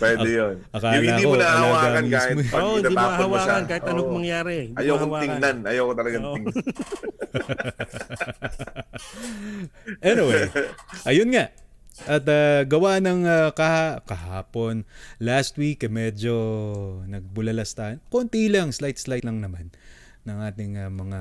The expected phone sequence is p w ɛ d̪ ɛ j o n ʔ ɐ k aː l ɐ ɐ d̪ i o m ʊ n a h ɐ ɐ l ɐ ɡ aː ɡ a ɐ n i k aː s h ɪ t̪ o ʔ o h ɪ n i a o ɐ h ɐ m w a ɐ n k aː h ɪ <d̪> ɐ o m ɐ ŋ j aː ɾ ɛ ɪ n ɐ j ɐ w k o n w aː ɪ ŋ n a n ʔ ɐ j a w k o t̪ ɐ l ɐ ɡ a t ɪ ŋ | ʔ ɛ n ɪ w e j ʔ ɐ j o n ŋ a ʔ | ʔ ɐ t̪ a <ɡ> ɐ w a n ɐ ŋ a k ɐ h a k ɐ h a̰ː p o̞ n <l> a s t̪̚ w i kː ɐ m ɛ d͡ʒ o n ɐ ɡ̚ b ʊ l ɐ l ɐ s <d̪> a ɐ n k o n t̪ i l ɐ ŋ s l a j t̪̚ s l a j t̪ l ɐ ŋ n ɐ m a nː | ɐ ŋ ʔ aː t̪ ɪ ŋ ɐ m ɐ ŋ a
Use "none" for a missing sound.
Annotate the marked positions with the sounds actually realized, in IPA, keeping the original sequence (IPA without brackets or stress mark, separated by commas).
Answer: t̪, ɡ, l, t̪